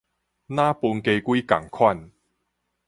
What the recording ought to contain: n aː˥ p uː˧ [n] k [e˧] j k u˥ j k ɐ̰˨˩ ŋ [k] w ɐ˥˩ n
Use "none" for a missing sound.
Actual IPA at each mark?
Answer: n, e˧, kʰ

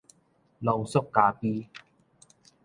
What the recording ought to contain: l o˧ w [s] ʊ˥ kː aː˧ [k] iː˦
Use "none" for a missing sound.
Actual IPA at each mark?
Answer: s, p

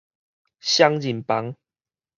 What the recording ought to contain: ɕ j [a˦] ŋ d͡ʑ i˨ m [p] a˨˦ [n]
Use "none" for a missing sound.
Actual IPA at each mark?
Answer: a˦, p, ŋ

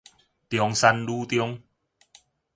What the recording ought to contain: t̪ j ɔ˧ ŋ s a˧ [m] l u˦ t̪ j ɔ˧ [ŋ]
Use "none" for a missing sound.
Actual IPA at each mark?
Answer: n, ŋ

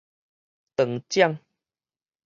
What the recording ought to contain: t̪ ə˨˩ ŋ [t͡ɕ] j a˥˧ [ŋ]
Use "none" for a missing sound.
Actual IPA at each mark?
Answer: t͡ɕ, ŋ

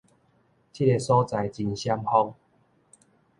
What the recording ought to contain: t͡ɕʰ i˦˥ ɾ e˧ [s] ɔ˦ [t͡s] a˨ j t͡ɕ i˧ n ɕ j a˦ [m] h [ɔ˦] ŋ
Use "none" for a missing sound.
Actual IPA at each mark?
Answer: s, t͡s, m, ɔ˦

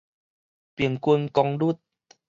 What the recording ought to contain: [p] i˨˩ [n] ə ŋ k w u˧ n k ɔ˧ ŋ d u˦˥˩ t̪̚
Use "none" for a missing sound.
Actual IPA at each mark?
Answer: p, none

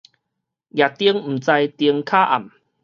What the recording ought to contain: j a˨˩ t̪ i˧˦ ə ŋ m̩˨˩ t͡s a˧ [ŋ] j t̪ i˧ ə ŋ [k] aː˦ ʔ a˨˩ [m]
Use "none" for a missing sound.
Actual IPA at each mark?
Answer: none, kʰ, m

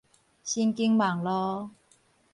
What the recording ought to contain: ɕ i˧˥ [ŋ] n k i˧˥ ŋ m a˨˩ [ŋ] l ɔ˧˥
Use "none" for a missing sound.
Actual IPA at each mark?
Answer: none, ŋ

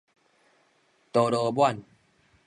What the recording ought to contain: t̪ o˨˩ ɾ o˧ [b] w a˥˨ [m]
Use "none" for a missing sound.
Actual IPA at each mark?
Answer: b, n

